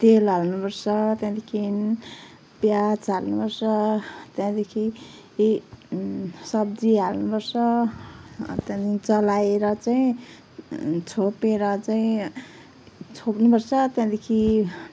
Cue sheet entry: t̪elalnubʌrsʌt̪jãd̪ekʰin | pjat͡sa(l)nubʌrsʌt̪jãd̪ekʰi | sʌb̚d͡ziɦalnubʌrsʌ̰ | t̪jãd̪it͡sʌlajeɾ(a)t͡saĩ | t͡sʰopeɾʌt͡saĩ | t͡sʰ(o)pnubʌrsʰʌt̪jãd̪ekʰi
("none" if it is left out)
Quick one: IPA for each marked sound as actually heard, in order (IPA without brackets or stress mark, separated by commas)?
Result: l, ʌ, o